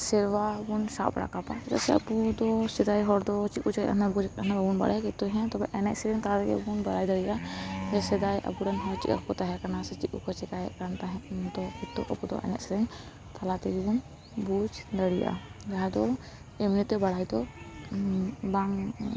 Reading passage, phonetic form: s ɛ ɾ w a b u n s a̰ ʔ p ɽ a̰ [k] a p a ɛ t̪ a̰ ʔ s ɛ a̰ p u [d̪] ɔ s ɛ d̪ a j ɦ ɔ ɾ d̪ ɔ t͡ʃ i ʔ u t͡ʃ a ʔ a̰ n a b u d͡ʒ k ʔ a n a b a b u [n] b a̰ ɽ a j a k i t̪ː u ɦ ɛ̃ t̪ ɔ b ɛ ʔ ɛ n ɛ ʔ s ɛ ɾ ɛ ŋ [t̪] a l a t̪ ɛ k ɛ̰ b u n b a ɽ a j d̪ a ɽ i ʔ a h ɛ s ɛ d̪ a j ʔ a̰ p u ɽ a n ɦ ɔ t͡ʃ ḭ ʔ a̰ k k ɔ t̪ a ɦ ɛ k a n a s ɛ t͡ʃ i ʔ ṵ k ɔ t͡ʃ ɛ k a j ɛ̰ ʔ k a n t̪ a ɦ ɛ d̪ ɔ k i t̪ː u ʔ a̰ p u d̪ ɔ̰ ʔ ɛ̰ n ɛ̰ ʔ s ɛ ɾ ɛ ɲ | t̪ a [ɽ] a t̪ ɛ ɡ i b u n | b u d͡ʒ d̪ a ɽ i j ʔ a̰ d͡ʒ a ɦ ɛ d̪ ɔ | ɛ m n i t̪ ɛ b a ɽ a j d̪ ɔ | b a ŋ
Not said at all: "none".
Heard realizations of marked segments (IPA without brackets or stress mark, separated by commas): k, d̪, n, t̪, l